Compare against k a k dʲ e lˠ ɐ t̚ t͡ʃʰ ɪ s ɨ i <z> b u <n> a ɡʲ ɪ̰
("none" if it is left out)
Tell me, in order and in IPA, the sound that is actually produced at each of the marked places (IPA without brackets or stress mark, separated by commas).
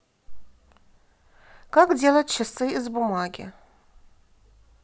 z, m